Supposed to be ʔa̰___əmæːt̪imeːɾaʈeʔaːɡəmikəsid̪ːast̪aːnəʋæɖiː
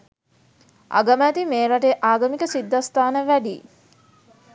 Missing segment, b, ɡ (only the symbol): ɡ